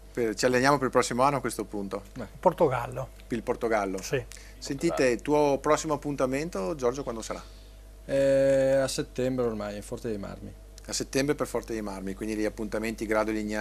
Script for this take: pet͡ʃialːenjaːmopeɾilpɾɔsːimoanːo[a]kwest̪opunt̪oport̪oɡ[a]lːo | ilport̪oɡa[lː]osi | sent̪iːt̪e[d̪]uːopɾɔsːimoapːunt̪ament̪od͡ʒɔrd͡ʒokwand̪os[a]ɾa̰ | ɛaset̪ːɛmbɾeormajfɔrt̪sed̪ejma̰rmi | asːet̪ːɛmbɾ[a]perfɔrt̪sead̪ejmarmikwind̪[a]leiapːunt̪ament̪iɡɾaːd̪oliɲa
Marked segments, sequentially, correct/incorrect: correct, correct, correct, incorrect, correct, incorrect, incorrect

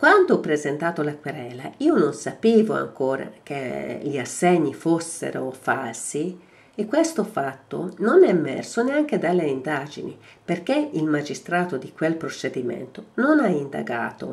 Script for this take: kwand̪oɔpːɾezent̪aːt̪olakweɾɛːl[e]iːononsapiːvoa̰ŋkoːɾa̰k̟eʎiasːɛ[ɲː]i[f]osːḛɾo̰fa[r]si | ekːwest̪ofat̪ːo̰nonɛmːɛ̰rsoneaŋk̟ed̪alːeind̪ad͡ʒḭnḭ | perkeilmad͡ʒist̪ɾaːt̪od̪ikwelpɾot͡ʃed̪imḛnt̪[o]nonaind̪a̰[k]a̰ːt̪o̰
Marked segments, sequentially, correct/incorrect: incorrect, correct, correct, incorrect, correct, incorrect

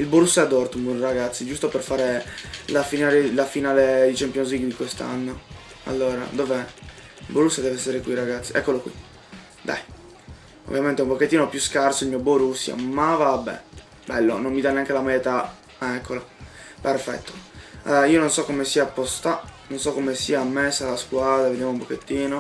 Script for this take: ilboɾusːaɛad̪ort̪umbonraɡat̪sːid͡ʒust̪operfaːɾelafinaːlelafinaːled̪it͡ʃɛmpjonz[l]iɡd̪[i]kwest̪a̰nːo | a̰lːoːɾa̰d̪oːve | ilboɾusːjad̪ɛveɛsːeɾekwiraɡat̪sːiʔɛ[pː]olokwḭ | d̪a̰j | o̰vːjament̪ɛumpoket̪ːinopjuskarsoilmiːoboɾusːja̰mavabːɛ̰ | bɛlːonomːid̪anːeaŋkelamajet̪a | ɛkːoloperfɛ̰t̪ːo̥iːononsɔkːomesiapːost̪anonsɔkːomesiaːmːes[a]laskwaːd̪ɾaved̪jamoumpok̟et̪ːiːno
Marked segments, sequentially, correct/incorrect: correct, correct, incorrect, correct

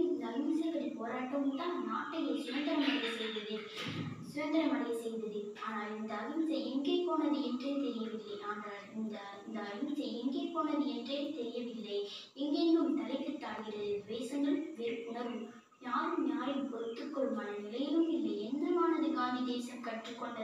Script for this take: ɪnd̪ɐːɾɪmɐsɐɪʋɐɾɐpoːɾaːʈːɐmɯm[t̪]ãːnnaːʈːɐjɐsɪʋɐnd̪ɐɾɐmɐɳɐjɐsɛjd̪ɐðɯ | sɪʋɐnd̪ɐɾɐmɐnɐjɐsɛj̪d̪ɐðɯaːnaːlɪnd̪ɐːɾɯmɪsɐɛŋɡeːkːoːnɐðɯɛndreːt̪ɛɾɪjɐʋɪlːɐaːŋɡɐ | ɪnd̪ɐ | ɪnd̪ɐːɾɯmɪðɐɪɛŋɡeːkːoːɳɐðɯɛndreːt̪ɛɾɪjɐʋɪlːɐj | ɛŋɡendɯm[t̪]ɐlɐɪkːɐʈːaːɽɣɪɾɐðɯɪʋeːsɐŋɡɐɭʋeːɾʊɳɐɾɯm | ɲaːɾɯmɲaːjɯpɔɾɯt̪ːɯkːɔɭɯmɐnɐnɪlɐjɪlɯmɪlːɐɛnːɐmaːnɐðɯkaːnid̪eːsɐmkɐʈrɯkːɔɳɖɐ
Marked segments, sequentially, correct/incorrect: correct, correct

